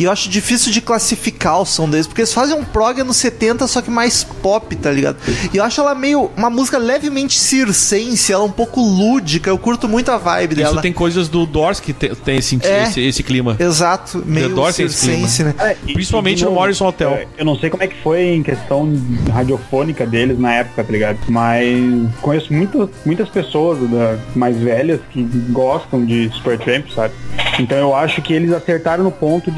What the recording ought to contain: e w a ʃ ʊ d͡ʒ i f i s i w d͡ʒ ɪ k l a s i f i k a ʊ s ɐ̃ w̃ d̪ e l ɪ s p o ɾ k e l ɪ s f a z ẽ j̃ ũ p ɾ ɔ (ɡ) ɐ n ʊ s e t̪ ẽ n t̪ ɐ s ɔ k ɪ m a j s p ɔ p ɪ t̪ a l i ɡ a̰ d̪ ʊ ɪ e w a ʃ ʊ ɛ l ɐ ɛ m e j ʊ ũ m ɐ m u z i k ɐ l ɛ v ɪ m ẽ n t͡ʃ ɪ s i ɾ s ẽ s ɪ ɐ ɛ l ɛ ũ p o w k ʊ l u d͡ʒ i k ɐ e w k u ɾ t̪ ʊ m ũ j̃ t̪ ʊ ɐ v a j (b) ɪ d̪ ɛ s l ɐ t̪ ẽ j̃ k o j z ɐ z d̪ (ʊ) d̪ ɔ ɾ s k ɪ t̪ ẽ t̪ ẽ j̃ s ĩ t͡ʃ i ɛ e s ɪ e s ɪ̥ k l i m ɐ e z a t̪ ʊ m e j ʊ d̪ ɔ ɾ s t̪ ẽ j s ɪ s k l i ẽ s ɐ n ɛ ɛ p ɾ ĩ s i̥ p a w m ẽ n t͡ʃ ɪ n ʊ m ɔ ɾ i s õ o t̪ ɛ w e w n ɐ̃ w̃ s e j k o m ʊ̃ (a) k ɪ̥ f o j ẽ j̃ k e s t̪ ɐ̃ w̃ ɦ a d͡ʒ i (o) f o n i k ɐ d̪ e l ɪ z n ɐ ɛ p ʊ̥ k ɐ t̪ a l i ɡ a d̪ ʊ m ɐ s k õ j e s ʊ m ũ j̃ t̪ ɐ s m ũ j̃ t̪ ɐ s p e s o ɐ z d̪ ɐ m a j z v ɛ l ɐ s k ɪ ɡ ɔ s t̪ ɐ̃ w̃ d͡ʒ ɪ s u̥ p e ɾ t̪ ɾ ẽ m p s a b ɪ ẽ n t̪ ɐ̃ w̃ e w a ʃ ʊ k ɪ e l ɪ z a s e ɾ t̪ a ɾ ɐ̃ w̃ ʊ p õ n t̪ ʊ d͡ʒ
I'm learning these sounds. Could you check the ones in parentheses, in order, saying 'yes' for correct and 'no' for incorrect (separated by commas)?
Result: yes, yes, yes, no, yes